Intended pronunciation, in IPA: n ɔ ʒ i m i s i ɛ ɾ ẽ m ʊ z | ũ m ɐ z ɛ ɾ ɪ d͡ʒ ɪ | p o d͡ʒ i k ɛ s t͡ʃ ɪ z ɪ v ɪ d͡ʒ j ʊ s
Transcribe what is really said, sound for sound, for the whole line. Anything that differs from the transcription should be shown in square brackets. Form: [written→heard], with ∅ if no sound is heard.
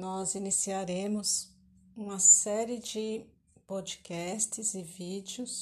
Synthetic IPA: n ɔ [ʒ→z] i [m→n] i s i [ɛ→a] ɾ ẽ m ʊ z | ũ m ɐ [z→s] ɛ ɾ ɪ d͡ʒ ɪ | p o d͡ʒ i k ɛ s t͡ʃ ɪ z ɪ v [ɪ→i] d͡ʒ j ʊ s